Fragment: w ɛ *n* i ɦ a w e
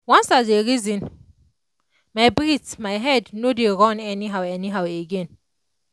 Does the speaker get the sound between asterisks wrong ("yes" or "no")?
no